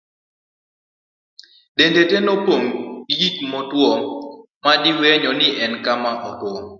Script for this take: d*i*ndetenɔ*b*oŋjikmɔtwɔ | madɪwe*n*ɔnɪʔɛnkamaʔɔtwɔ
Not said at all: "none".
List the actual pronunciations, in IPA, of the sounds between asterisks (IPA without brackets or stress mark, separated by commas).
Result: e, p, ɲ